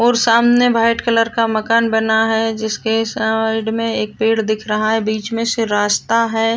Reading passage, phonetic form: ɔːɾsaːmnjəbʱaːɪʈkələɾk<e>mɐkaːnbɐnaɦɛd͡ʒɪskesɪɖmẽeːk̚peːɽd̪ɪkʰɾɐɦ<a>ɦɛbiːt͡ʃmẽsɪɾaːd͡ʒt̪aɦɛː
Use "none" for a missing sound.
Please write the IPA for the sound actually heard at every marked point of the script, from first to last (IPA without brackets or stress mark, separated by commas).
a, a